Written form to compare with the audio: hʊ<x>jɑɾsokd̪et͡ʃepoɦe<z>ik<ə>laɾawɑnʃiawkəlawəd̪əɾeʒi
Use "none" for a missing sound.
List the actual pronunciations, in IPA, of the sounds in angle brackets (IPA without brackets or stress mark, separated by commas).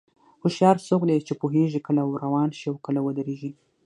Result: ʃ, ʒ, ə